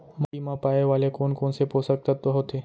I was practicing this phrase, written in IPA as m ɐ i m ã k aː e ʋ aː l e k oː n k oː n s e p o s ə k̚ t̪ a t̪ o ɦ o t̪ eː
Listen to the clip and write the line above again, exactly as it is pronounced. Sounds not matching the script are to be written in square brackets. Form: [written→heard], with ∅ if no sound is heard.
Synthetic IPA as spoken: m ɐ i m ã [k→p] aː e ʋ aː l e k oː n k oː n s e p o s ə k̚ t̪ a t̪ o ɦ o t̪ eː